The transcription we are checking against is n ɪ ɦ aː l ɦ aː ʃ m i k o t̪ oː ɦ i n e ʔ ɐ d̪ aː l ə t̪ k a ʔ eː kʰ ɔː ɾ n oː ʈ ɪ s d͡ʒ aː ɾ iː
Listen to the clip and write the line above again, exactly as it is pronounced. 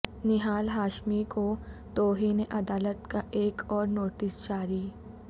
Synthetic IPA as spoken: n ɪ ɦ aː l ɦ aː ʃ m i k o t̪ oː ɦ i n e ʔ ɐ d̪ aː l ə t̪ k a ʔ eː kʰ ɔː ɾ n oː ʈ ɪ s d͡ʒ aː ɾ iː